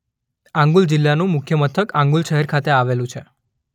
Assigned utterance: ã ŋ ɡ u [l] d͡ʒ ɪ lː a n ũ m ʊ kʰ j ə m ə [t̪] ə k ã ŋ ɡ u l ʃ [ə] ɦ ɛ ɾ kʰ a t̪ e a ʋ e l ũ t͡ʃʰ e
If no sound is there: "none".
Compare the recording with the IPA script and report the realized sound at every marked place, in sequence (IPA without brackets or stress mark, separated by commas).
l, t̪ʰ, ə